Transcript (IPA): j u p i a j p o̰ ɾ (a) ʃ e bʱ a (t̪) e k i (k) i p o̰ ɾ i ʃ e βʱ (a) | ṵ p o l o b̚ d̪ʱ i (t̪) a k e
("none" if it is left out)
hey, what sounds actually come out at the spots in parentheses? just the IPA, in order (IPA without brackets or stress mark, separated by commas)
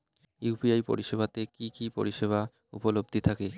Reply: i, t̪, k, a, t̪ʰ